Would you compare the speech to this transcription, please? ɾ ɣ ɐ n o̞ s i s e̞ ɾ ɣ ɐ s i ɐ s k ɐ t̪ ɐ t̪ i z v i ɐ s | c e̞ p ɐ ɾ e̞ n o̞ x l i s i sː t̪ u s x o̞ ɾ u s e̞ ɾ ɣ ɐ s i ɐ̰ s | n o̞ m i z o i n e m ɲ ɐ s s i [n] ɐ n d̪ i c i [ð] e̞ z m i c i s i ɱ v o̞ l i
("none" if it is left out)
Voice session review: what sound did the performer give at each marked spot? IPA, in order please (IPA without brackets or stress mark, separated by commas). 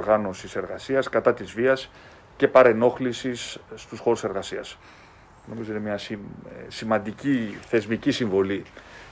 m, θ